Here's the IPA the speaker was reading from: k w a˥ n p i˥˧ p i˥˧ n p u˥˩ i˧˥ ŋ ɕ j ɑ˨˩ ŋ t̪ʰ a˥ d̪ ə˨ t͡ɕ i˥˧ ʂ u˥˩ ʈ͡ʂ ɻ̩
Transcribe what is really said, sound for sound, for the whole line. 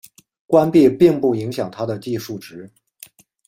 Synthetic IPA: k w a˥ n p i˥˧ p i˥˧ ŋ p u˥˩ i˧˥ ŋ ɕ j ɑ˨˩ ŋ t̪ʰ a˥ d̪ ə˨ t͡ɕ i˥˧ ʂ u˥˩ ʈ͡ʂ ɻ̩